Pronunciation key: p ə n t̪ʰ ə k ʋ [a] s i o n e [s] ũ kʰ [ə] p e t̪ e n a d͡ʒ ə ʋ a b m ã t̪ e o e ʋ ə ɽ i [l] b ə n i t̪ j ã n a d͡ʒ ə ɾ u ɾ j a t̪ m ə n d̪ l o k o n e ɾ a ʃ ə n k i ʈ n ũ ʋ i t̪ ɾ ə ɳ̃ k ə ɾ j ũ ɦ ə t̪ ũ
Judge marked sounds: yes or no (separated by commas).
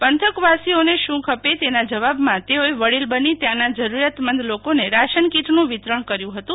yes, no, yes, yes